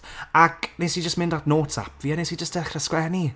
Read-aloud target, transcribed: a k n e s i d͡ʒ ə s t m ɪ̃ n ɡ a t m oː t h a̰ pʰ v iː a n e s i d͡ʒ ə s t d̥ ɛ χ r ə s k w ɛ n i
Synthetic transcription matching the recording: a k n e s i d͡ʒ ə s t m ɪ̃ n d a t n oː t s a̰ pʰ v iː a n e s i d͡ʒ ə s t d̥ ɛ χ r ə s k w ɛ n i